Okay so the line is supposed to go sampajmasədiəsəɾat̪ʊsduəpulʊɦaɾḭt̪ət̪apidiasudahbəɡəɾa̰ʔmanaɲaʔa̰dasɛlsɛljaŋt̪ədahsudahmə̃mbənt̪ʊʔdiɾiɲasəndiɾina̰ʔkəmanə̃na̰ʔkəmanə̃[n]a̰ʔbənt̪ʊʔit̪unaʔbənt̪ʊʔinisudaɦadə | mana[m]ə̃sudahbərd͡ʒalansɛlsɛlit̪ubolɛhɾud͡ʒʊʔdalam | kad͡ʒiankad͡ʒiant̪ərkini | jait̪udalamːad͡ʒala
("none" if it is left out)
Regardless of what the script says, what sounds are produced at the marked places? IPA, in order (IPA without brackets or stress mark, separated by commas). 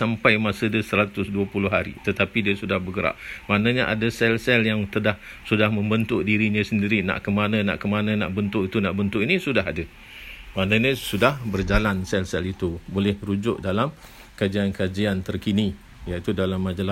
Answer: n, ɲ